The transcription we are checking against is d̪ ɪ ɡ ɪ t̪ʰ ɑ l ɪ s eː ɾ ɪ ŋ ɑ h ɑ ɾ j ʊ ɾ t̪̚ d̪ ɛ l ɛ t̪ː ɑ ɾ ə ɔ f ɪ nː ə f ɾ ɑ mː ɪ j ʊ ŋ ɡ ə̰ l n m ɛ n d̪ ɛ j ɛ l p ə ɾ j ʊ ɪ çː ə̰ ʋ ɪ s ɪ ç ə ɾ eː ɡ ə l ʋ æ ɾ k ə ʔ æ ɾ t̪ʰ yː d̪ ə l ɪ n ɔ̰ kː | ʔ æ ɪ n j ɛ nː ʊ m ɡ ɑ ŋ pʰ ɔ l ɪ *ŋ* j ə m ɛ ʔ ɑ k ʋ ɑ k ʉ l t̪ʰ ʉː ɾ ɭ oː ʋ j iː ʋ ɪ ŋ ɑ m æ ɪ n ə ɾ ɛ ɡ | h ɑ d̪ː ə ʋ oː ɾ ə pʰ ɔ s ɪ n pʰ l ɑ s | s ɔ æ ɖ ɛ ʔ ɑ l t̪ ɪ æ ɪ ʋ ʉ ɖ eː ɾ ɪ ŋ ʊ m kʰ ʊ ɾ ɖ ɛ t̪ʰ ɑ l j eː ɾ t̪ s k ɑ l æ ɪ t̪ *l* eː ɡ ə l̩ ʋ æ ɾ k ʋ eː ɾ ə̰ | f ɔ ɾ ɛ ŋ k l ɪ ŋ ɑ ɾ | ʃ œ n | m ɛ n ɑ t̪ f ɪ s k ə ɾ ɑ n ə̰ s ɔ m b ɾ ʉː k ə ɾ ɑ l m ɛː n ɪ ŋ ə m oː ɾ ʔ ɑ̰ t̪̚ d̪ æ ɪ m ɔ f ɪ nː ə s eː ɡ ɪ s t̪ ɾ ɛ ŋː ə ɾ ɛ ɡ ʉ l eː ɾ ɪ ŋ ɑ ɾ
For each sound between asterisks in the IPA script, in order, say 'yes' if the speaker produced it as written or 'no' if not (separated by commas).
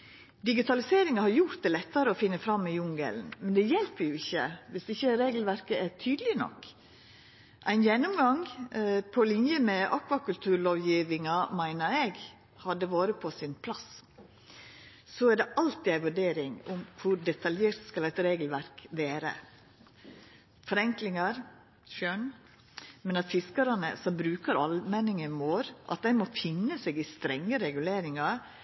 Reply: no, no